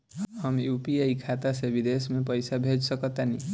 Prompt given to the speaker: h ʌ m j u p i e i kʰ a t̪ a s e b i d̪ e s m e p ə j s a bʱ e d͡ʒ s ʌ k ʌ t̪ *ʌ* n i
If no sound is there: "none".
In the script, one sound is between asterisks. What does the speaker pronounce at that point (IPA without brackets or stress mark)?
a